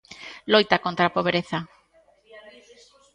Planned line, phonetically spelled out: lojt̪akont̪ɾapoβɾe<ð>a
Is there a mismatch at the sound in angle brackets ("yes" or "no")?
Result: yes